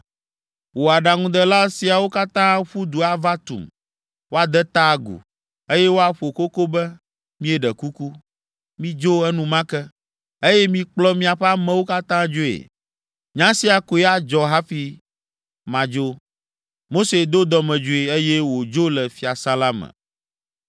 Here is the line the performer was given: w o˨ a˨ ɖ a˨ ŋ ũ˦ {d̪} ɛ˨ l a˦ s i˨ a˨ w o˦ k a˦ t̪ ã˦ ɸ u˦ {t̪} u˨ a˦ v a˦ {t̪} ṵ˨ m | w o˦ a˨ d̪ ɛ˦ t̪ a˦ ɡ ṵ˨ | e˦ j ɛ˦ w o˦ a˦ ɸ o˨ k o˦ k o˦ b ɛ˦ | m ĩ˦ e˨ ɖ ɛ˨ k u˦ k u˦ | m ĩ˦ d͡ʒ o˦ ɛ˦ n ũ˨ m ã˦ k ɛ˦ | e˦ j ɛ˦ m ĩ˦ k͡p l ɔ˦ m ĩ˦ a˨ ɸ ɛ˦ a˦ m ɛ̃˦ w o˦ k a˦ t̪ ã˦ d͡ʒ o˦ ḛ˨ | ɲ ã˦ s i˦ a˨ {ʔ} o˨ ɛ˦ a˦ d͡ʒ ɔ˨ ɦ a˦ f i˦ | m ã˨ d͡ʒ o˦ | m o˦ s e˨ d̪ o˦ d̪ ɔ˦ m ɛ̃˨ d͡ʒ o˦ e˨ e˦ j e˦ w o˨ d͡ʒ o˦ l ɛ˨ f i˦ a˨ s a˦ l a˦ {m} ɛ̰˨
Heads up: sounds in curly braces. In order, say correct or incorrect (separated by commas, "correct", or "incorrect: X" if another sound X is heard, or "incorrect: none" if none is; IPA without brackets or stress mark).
correct, incorrect: d̪, correct, incorrect: k, correct